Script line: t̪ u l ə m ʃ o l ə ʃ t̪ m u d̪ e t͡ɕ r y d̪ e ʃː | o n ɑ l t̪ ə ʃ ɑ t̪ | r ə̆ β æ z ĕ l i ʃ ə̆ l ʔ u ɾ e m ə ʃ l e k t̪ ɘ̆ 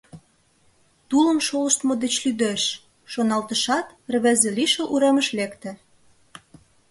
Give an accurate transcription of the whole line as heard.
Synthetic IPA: t̪ u l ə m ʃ o l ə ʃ t̪ m o d̪ e t͡ɕ l y d̪ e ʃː | o n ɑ l t̪ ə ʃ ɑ t̪ | r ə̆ β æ z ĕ l i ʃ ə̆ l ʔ u ɾ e m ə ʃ l e k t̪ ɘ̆